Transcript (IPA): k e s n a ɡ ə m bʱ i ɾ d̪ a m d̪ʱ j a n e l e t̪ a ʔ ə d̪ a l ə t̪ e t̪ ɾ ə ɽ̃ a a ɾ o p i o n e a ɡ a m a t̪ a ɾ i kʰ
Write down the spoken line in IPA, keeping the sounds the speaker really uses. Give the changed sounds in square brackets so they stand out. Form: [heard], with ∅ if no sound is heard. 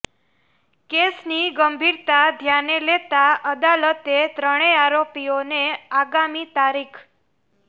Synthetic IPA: k e s n [i] ɡ ə m bʱ i ɾ [t̪] a [∅] d̪ʱ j a n e l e t̪ a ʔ ə d̪ a l ə t̪ e t̪ ɾ ə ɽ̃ [e] a ɾ o p i o n e a ɡ a m [i] t̪ a ɾ i kʰ

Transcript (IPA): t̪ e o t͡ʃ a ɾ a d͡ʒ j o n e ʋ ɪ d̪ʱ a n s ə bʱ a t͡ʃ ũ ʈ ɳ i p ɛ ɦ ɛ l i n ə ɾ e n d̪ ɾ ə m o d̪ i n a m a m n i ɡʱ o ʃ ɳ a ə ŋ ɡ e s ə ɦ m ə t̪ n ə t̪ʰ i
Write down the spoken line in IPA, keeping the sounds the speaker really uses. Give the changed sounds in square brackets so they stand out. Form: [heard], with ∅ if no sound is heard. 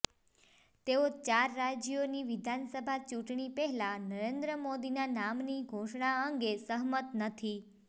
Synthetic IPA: t̪ e o t͡ʃ a [ɾː] a d͡ʒ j o n [i] ʋ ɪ d̪ʱ a n s ə bʱ a t͡ʃ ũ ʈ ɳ i p ɛ ɦ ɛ l [a] n ə ɾ e n d̪ ɾ ə m o d̪ i n a [n] a m n i ɡʱ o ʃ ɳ a ə ŋ ɡ e s ə ɦ m ə t̪ n ə t̪ʰ i

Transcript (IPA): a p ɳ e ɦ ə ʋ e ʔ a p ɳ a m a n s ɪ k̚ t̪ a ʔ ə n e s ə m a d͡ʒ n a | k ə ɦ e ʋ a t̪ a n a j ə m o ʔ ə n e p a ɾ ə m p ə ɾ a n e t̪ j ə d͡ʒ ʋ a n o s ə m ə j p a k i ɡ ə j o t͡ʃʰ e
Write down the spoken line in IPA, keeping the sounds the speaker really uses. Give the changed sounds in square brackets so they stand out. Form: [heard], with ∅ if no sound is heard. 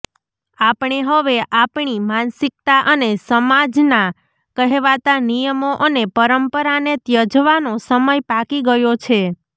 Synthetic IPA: a p ɳ e ɦ ə ʋ e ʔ a p ɳ [i] m a n s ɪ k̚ t̪ a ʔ ə n e s ə m a d͡ʒ n a | k ə ɦ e ʋ a t̪ a n [i] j ə m o ʔ ə n e p [ə] ɾ ə m p ə ɾ a n e t̪ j ə d͡ʒ ʋ a n o s ə m ə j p a k i ɡ ə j o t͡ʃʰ e

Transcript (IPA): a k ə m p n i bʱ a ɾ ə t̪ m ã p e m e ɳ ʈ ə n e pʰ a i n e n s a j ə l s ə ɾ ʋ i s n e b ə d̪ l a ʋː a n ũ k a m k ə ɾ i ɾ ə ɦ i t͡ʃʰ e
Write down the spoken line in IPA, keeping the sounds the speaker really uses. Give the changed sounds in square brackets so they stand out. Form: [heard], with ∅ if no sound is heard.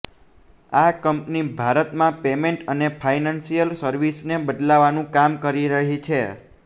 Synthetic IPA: a k ə m p n i bʱ a ɾ ə t̪ m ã p e m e ɳ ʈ ə n e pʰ a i n [a] n s [i] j ə l s ə ɾ ʋ i s n e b ə d̪ l a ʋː a n ũ k a m k ə ɾ i ɾ ə ɦ i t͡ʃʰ e

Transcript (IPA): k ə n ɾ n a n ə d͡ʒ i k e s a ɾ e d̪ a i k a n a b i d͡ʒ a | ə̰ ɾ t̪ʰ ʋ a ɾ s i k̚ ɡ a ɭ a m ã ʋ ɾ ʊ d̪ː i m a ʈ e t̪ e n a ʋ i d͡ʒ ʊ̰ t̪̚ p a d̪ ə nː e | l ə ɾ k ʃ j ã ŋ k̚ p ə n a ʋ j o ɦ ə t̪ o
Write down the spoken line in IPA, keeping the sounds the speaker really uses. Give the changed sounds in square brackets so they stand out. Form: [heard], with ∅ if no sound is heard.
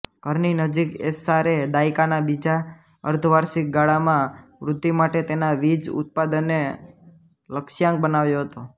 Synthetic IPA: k ə [∅] ɾ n [i] n ə d͡ʒ i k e s a ɾ e d̪ a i k a n a b i d͡ʒ a | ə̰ ɾ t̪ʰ ʋ a ɾ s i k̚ ɡ a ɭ a m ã ʋ ɾ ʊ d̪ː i m a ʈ e t̪ e n a ʋ i d͡ʒ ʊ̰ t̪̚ p a d̪ ə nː e | l ə [∅] k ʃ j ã ŋ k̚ [b] ə n a ʋ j o ɦ ə t̪ o

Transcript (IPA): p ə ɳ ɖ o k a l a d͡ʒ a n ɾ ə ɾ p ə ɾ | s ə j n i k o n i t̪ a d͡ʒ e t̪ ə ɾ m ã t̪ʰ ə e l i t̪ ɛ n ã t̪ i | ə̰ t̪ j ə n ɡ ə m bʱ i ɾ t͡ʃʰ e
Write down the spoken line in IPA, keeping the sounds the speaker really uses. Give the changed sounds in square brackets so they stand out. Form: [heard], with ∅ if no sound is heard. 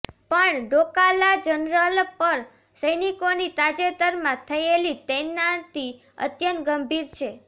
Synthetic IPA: p ə ɳ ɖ o k a l a d͡ʒ [ə] n ɾ ə [l] p ə ɾ | s ə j n i k o n i t̪ a d͡ʒ e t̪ ə ɾ m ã t̪ʰ ə e l i t̪ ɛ n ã t̪ i | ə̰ t̪ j ə n ɡ ə m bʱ i ɾ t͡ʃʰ e

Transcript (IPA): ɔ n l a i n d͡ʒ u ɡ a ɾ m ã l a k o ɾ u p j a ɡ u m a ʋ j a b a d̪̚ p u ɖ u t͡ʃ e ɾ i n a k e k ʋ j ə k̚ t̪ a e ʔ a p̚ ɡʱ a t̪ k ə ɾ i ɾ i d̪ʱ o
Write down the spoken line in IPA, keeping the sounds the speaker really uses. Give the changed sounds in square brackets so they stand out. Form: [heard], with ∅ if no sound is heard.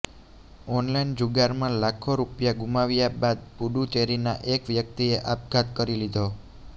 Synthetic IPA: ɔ n l a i n d͡ʒ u ɡ a ɾ m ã l a [kʰ] o ɾ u p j a ɡ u m a ʋ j a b a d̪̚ p u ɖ u t͡ʃ e ɾ i n a [ʔ] e k ʋ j ə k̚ t̪ [i] e ʔ a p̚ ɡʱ a t̪ k ə ɾ i [l] i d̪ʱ o

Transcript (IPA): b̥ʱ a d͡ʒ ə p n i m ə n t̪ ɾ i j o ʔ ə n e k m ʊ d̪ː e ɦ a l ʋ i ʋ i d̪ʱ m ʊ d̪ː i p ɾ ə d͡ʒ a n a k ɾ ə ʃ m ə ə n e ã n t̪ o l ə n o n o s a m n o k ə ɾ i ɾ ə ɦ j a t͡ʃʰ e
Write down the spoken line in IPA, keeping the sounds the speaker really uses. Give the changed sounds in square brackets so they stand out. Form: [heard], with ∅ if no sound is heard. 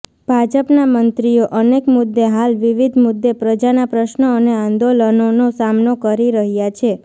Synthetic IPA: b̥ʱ a d͡ʒ ə p n [a] m ə n t̪ ɾ i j o ʔ ə n e k m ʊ d̪ː e ɦ a l ʋ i ʋ i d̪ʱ m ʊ d̪ː [e] p ɾ ə d͡ʒ a n a [p] ɾ ə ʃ [n] ə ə n e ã n [d̪] o l ə n o n o s a m n o k ə ɾ i ɾ ə ɦ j a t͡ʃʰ e

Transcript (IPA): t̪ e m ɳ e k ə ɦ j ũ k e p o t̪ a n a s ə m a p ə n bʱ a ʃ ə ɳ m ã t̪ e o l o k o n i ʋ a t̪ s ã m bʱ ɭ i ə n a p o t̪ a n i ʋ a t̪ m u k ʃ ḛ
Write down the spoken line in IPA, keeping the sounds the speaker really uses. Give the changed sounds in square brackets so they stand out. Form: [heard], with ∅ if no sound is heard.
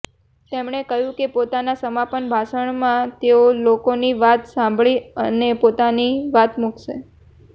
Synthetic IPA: t̪ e m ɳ e k ə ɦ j ũ k e p o t̪ a n a s ə m a p ə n bʱ a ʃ ə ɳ m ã t̪ e o l o k o n i ʋ a t̪ s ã m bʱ ɭ i ə n [e] p o t̪ a n i ʋ a t̪ m u k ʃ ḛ

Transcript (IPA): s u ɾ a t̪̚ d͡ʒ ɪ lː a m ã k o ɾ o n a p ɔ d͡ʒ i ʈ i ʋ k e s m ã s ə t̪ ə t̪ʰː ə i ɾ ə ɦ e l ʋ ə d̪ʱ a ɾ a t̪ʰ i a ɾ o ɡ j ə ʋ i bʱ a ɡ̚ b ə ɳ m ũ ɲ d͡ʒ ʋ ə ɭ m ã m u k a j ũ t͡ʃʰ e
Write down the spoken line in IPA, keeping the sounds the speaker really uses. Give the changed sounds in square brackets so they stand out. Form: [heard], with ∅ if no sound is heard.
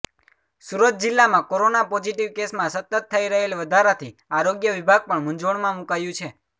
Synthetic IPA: s u ɾ [ə] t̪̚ d͡ʒ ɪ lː a m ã k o ɾ o n a p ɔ d͡ʒ i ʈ i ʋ k e s m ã s ə t̪ ə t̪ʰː ə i ɾ ə ɦ e l ʋ ə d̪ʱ a ɾ a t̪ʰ i a ɾ o ɡ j ə ʋ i bʱ a ɡ̚ [p] ə ɳ m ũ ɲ d͡ʒ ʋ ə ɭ m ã m u k a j ũ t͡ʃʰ e

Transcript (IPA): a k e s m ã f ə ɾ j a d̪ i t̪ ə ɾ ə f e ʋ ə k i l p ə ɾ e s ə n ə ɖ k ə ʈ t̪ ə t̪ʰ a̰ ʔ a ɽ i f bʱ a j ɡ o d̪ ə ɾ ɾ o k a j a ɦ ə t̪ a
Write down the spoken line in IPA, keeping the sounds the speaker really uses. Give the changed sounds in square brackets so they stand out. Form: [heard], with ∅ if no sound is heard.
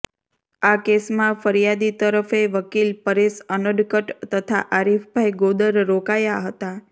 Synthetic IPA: a k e s m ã f ə ɾ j a d̪ i t̪ ə ɾ ə f e ʋ ə k i l p ə ɾ e s ə n ə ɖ k ə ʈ t̪ ə t̪ʰ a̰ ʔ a [ɾ] i f bʱ a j ɡ o d̪ ə ɾ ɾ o k a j a ɦ ə t̪ a

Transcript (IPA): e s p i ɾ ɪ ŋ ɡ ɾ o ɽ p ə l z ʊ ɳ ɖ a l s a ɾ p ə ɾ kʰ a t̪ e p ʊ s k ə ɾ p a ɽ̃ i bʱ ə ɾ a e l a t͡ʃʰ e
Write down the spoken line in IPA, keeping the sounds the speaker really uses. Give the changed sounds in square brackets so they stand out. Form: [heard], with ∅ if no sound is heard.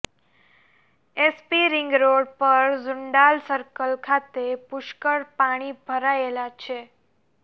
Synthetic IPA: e s p i ɾ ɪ ŋ ɡ ɾ o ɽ p ə [ɾ] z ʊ ɳ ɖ a l s [ə] ɾ [k] ə [l] kʰ a t̪ e p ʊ [ʃ] k ə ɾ p a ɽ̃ i bʱ ə ɾ a e l a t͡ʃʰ e

